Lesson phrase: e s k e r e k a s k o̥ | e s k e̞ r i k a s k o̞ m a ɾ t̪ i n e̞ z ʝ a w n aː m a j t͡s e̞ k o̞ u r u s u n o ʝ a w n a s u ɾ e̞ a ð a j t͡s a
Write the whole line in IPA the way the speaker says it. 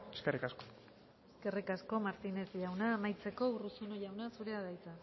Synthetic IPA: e s k e r i k a s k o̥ | e s k e̞ r i k a s k o̞ m a ɾ t̪ i n e̞ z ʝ a w n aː m a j t͡s e̞ k o̞ u r u s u n o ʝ a w n a s u ɾ e̞ a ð a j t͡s a